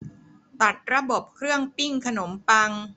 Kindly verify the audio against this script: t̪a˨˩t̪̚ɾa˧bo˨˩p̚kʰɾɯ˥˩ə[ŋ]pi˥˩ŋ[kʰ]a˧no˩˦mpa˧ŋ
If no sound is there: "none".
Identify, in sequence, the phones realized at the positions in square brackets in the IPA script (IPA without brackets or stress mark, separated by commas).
ŋ, kʰ